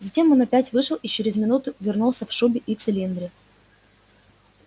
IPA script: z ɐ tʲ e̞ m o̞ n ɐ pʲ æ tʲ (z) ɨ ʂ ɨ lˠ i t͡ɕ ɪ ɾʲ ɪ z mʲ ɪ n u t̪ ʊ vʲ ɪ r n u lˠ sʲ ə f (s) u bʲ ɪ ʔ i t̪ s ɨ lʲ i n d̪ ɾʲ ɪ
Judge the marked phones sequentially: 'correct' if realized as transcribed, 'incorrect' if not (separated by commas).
incorrect, incorrect